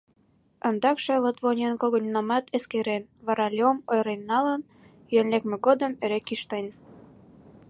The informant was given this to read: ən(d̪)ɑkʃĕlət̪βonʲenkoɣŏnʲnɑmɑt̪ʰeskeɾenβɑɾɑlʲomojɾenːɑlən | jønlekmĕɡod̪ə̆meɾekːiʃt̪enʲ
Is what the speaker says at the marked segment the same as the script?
yes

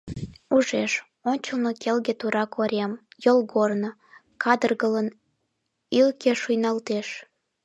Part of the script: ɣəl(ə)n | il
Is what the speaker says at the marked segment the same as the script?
yes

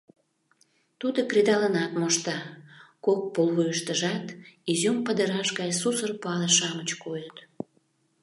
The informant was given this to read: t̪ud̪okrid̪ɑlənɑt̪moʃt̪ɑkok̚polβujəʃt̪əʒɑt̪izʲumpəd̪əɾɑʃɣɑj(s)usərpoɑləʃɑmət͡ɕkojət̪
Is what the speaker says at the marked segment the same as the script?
yes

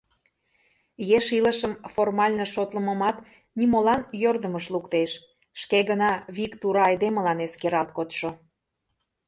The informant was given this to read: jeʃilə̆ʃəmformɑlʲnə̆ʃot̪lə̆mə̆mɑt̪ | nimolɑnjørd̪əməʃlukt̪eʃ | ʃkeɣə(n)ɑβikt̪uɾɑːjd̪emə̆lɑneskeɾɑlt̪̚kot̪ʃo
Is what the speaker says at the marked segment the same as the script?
yes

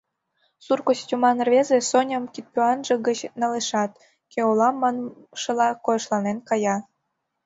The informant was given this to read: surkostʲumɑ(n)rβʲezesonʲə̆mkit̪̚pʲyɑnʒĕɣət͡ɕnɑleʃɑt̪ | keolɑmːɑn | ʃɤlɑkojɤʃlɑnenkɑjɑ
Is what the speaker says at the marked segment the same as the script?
yes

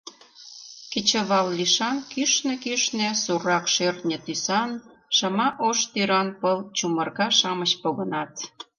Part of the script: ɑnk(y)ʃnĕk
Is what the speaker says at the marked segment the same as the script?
yes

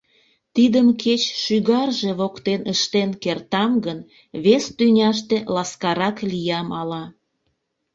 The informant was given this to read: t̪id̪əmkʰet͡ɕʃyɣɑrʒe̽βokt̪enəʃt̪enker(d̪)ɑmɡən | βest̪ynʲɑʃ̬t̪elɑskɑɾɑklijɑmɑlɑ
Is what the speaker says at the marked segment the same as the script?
no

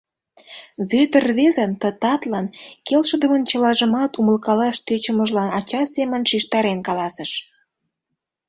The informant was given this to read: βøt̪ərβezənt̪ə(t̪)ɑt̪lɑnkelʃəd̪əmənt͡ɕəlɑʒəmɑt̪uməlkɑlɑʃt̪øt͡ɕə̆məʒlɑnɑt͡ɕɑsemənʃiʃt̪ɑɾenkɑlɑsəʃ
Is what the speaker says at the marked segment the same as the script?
yes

